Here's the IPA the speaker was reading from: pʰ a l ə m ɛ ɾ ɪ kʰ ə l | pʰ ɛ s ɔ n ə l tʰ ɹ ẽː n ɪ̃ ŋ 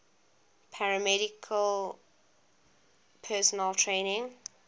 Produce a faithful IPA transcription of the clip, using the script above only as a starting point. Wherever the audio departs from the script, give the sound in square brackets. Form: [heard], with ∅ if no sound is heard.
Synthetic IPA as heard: pʰ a [ɹ] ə m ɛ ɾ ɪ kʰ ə l | pʰ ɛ s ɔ n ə l tʰ ɹ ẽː n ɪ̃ ŋ

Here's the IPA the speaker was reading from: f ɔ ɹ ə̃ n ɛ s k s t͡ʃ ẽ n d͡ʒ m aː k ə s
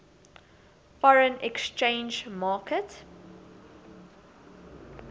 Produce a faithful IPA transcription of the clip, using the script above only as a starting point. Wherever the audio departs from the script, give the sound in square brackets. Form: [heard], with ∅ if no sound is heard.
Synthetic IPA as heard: f ɔ ɹ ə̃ n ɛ [∅] k s t͡ʃ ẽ n d͡ʒ m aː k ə [t]

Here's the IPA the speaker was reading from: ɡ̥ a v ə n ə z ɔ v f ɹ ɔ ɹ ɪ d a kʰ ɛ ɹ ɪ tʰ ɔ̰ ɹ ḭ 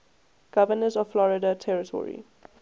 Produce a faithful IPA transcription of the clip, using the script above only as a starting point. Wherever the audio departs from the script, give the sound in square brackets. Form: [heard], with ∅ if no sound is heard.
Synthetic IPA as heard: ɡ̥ a v ə n ə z ɔ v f [l] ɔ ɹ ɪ d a [tʰ] ɛ ɹ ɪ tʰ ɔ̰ ɹ ḭ

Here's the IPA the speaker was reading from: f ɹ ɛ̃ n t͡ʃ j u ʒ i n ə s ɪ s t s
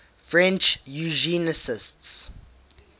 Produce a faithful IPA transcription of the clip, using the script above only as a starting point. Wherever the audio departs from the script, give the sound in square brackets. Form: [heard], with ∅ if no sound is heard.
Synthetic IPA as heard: f ɹ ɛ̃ n t͡ʃ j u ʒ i n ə s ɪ s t s

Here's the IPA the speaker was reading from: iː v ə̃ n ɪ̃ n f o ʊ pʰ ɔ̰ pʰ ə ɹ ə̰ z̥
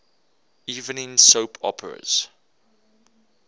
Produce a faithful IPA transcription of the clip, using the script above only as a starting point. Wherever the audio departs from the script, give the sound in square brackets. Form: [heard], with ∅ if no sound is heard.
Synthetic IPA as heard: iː v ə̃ n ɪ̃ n [s] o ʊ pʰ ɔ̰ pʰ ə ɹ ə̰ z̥

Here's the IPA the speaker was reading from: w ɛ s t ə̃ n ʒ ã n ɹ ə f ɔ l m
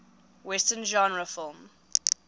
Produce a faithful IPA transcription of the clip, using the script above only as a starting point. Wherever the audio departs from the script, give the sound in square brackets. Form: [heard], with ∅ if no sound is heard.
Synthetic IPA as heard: w ɛ s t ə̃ n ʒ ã n ɹ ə f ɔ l m

